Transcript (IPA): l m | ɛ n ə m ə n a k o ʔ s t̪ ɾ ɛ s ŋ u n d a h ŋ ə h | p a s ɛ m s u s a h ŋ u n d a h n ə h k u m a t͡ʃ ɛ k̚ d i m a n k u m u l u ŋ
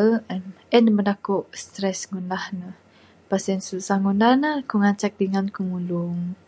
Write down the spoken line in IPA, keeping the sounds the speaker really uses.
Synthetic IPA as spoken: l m | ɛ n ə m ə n a k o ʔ s t̪ ɾ ɛ s ŋ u n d a h n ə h | p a s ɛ n s u s a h ŋ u n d a h n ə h k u ŋ a t͡ʃ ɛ k̚ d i ŋ a n k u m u l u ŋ